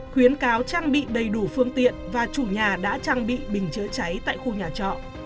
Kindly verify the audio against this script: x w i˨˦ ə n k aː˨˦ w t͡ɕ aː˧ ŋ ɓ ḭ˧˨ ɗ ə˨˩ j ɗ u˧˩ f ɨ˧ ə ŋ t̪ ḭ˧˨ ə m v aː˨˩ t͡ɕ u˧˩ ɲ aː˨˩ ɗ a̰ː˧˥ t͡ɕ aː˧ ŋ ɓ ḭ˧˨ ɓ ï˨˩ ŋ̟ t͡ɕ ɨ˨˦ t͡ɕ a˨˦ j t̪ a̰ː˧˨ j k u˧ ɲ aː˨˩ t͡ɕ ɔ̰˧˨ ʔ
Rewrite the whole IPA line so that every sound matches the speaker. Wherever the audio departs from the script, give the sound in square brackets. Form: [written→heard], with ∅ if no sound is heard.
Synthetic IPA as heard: x w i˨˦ ə n k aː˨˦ w t͡ɕ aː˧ ŋ ɓ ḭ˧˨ ɗ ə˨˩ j ɗ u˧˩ f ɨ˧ ə ŋ t̪ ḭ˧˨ ə [m→n] v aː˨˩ t͡ɕ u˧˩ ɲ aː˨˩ ɗ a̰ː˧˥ t͡ɕ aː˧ ŋ ɓ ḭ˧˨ ɓ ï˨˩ ŋ̟ t͡ɕ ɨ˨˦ t͡ɕ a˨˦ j t̪ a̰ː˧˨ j [k→x] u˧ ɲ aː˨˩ t͡ɕ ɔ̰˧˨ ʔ